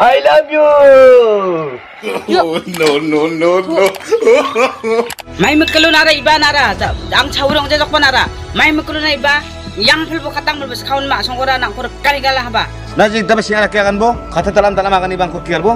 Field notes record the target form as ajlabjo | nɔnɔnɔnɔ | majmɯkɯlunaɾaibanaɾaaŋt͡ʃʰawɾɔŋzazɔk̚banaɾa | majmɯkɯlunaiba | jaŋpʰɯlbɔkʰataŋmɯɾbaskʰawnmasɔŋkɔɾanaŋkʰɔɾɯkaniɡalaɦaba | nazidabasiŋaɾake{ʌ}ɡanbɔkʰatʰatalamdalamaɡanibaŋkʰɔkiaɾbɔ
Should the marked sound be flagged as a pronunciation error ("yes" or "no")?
yes